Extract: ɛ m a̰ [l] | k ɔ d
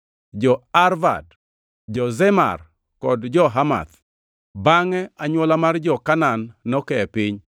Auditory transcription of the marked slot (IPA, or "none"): r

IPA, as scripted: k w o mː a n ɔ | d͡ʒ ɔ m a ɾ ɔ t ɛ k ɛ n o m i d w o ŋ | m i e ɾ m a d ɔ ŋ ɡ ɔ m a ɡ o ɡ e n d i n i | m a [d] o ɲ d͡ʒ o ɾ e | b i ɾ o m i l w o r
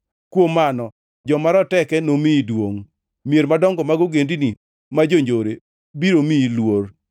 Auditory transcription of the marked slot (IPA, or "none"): d͡ʒ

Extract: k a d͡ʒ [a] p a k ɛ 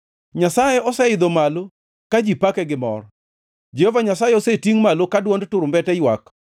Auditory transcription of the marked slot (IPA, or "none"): i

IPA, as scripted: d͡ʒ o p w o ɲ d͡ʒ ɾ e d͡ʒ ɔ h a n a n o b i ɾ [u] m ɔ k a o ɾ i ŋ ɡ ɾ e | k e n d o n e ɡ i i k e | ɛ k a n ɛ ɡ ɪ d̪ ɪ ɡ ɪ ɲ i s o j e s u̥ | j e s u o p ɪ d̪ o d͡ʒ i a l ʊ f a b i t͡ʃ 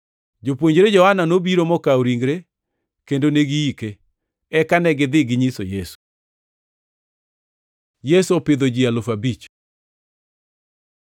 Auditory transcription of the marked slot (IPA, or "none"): o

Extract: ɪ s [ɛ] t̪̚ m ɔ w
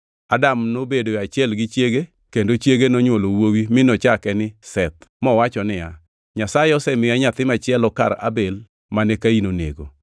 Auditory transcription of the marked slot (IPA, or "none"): ɛ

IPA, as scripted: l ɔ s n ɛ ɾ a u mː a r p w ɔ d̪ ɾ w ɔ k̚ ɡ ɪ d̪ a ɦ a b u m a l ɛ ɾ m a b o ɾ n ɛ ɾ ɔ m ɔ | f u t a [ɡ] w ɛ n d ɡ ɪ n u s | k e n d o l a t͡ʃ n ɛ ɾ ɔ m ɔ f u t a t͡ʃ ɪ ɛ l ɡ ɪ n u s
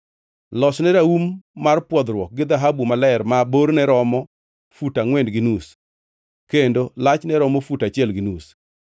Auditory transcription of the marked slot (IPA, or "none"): ŋ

